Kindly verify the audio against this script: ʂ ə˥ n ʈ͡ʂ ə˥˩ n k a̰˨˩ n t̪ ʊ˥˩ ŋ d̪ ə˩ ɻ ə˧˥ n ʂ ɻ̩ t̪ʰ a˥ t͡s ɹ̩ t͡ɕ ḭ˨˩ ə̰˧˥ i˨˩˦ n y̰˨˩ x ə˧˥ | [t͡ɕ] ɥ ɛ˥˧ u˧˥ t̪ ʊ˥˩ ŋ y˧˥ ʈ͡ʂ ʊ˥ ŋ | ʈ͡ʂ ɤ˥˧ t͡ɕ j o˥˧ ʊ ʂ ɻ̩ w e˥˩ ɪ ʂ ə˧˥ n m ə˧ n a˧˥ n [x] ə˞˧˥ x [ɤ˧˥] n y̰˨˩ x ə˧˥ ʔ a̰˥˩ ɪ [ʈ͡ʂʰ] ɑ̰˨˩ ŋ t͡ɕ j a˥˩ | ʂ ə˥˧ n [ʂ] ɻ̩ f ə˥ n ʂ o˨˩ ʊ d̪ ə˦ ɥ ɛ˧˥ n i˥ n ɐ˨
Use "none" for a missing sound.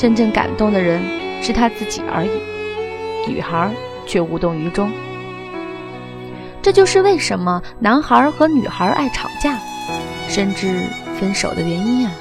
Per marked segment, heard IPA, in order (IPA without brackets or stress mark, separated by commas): t͡ɕʰ, x, ɤ˧˥, ʈ͡ʂʰ, ʈ͡ʂ